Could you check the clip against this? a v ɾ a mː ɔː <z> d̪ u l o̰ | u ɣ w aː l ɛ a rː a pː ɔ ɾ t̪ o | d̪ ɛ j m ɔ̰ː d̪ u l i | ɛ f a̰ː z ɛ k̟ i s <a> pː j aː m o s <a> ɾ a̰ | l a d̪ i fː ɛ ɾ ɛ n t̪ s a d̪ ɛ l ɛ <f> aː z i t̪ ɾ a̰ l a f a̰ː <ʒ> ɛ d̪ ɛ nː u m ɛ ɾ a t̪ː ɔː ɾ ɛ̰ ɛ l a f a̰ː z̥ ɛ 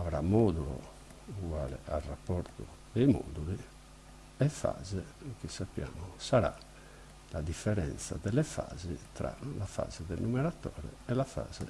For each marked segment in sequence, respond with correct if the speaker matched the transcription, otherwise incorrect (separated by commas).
incorrect, correct, correct, correct, incorrect